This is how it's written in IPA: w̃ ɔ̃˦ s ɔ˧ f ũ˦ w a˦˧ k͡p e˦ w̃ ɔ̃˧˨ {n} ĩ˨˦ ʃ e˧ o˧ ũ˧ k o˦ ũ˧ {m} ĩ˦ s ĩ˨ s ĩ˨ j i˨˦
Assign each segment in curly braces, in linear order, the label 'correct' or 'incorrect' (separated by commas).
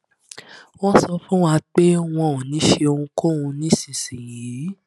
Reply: correct, incorrect